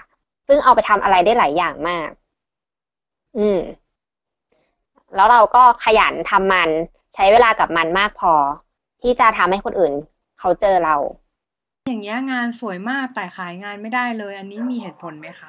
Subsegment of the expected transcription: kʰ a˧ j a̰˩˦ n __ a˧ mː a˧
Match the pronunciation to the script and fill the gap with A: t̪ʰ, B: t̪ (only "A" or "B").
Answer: A